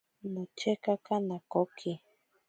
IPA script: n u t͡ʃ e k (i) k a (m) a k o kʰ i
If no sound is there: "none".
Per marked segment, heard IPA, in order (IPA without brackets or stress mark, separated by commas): a, n